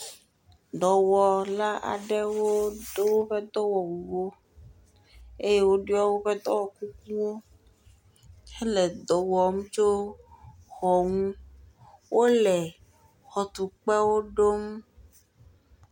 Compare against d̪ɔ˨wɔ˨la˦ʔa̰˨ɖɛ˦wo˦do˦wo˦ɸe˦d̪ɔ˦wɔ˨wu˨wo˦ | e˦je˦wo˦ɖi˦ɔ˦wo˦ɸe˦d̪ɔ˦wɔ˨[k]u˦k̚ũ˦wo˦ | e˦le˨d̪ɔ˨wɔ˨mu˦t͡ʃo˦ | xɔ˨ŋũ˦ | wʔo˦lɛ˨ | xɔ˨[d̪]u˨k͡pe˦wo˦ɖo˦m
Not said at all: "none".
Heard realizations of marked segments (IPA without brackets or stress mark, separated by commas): k, t̪